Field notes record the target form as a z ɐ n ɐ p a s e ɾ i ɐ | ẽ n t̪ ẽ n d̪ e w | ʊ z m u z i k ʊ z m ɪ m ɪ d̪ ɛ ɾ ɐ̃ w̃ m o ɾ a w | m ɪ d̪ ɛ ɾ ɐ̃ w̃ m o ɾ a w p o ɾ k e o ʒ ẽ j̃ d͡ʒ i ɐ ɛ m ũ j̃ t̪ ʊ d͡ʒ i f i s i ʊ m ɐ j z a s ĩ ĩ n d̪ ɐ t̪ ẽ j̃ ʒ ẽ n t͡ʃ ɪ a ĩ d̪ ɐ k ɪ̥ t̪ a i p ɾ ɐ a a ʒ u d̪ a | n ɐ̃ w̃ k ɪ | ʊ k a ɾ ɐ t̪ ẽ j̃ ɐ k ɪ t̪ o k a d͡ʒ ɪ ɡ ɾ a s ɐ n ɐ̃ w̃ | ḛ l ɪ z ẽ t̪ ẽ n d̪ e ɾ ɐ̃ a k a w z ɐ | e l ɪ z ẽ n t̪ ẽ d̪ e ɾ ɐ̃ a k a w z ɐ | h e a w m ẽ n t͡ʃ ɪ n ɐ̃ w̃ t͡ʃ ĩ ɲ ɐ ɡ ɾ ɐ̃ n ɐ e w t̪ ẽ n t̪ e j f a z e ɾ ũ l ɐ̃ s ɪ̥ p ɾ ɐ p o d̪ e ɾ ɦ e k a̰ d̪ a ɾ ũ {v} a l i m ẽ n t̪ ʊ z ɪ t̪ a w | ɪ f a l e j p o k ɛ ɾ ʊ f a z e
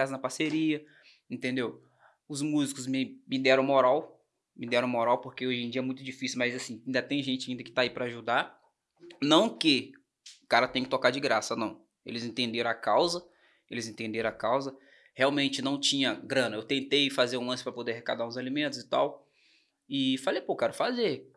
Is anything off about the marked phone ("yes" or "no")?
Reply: yes